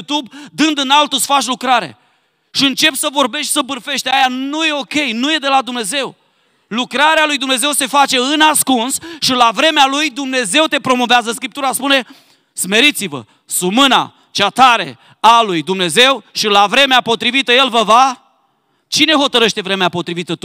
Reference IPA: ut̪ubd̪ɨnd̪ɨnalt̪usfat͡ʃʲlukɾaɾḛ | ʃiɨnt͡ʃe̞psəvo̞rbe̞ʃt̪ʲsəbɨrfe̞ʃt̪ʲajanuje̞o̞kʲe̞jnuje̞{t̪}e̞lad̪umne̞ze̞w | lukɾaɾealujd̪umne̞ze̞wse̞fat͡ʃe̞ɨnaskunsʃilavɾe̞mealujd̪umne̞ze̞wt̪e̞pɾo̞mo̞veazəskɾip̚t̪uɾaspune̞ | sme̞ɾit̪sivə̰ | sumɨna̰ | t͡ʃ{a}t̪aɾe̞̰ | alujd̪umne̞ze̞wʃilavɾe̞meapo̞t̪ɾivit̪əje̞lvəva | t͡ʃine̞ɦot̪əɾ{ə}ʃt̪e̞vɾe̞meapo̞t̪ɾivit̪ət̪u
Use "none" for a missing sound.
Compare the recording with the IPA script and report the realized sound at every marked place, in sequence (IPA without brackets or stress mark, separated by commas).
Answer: d̪, a, ə